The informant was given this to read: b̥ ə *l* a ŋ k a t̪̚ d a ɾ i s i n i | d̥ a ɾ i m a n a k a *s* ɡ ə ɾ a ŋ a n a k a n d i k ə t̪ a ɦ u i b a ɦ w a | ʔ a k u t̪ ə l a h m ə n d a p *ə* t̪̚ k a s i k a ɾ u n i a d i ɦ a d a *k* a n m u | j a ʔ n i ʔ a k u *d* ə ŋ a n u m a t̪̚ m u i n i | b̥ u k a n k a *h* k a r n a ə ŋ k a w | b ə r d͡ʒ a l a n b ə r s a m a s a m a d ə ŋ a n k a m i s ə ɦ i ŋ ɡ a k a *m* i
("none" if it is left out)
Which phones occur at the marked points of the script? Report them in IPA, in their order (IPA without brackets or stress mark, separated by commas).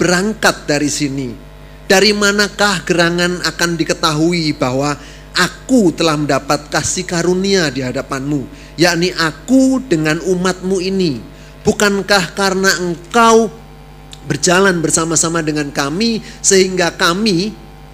ɾ, h, a, p, d, h, m